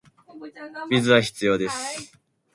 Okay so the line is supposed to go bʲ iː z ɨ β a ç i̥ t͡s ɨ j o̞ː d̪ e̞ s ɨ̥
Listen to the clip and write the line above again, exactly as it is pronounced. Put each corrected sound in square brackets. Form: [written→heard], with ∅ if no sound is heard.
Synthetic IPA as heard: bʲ [iː→i] z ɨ β a ç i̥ t͡s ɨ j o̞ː d̪ e̞ s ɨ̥